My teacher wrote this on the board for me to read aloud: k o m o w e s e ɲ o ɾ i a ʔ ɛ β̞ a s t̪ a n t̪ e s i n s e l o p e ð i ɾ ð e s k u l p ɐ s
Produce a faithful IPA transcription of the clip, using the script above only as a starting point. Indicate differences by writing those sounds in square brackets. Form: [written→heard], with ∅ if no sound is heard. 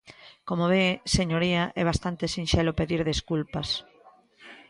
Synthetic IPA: k o m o [w→β] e s e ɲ o ɾ i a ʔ ɛ β̞ a s t̪ a n t̪ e s i n [s→ʃ] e l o p e ð i ɾ ð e s k u l p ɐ s